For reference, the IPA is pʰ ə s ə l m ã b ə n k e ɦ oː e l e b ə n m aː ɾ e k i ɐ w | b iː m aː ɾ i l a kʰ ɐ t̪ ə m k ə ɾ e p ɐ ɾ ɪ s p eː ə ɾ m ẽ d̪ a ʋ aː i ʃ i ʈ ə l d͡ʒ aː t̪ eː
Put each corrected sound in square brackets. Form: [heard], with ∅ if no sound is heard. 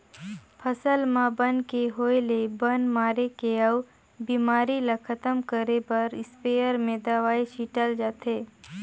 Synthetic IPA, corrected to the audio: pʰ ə s ə l m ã b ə n k e ɦ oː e l e b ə n m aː ɾ e k [e] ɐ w | b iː m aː ɾ i l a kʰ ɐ t̪ ə m k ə ɾ e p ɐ ɾ ɪ s p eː ə ɾ m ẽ d̪ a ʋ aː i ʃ i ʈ ə l d͡ʒ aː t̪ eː